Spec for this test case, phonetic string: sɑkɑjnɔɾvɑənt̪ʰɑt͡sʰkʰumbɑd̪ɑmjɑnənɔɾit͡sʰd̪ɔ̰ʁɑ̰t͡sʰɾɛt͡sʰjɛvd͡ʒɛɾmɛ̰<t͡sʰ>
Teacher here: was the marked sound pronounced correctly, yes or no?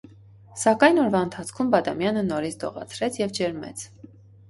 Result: yes